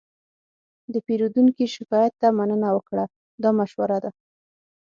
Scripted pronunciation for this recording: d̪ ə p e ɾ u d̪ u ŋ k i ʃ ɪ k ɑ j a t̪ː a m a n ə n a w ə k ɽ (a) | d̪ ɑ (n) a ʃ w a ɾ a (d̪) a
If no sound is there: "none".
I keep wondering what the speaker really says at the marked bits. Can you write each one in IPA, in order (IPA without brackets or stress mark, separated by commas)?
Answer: a, m, d̪